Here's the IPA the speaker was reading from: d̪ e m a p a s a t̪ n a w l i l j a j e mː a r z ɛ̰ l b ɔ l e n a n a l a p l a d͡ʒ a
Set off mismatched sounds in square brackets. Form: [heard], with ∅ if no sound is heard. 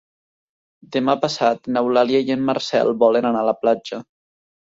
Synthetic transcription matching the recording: d̪ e m a p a s a t̪ n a w l [a] l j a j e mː a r [s] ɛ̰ l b ɔ l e n a n a l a p l a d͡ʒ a